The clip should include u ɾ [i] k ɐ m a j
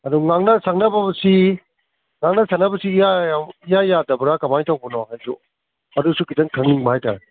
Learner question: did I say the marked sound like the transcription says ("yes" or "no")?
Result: no